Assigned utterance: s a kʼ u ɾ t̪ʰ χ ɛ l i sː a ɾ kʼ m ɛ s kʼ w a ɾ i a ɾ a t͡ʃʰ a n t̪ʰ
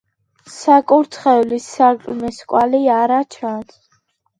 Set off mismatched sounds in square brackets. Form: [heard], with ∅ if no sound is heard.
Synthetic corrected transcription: s a kʼ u ɾ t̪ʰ χ ɛ l i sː a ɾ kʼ m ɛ s kʼ w a [l] i a ɾ a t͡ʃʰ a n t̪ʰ